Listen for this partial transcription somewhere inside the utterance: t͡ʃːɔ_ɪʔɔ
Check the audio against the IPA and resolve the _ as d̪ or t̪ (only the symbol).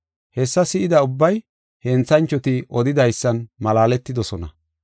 t̪